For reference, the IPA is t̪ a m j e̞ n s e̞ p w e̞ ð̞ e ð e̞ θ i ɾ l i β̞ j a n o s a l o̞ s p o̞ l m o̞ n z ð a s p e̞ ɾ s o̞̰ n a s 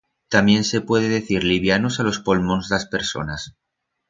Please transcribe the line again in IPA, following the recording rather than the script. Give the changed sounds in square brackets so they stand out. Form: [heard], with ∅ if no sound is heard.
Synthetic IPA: t̪ a m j e̞ n s e̞ p w e̞ ð̞ e ð e̞ θ i ɾ l i β̞ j a n o s a l o̞ s p o̞ l m o̞ n z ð a s p e̞ ɾ s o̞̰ n a s